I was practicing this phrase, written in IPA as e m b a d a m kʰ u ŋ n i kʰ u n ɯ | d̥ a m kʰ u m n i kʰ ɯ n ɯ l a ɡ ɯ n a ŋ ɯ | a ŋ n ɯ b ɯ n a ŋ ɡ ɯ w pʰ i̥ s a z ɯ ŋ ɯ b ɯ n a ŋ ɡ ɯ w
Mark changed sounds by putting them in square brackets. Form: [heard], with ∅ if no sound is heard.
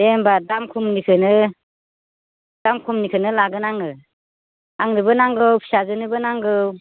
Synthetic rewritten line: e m b a d a m kʰ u [m] n i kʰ [ɯ] n ɯ | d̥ a m kʰ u m n i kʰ ɯ n ɯ l a ɡ ɯ n a ŋ ɯ | a ŋ n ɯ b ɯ n a ŋ ɡ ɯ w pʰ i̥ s a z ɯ [n] ɯ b ɯ n a ŋ ɡ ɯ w